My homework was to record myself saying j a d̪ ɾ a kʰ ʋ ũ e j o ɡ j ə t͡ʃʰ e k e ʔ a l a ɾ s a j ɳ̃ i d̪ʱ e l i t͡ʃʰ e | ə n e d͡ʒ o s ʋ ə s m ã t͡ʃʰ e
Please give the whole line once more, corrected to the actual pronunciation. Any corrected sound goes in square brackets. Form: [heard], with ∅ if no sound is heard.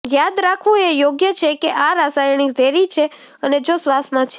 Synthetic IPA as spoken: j a d̪ ɾ a kʰ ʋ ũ e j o ɡ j ə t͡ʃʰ e k e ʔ a [ɾ] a [∅] s a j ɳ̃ i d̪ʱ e [ɾ] i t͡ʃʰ e | ə n e d͡ʒ o s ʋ [a] s m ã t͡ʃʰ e